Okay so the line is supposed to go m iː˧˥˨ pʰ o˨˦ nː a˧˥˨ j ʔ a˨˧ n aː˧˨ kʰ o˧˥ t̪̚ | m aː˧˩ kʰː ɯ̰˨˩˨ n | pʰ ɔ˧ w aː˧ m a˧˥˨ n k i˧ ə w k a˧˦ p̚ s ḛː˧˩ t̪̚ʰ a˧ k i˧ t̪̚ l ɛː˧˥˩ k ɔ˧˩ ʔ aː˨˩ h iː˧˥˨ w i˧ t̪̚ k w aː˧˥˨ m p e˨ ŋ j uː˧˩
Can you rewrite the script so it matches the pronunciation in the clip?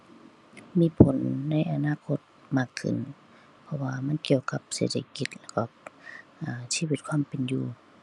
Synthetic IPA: m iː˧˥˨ pʰ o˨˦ nː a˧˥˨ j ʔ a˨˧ n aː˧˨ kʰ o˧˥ t̪̚ | m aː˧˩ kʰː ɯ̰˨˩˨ n | pʰ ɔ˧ w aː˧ m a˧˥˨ n k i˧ ə w k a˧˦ p̚ s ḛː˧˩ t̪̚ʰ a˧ k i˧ t̪̚ l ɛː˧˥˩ k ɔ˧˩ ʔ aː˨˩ s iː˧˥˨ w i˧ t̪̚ kʰ w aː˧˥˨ m p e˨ n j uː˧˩